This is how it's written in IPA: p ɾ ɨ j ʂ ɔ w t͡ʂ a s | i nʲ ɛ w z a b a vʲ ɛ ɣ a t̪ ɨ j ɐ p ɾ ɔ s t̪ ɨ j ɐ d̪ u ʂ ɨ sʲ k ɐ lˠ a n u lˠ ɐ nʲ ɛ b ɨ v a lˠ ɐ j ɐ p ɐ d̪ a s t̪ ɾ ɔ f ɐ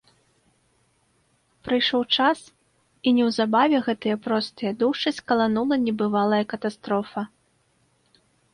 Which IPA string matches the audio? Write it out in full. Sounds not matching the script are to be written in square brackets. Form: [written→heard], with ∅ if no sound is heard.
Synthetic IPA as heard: p ɾ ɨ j ʂ ɔ w t͡ʂ a s | i nʲ ɛ w z a b a vʲ ɛ ɣ [a→ɛ] t̪ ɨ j ɐ p ɾ ɔ s t̪ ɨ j ɐ d̪ u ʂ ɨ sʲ k ɐ lˠ a n u lˠ ɐ nʲ ɛ b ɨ v a lˠ ɐ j ɐ [p→k] ɐ [d̪→t̪] a s t̪ ɾ ɔ f ɐ